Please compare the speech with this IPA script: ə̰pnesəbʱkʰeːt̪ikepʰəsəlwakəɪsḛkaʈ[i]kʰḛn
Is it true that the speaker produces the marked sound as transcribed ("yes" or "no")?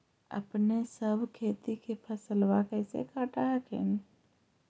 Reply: no